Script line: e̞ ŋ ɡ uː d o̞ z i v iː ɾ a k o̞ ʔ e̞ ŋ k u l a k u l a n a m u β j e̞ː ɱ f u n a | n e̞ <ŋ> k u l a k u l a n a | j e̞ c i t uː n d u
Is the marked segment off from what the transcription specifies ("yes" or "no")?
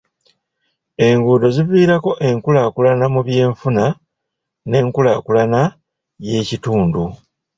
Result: no